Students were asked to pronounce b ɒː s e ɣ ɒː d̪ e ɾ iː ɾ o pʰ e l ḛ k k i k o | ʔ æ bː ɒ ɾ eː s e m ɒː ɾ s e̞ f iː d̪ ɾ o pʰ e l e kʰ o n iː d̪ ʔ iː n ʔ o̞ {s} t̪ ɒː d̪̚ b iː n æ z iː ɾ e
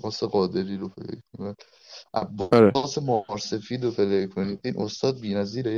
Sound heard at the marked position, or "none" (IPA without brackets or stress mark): s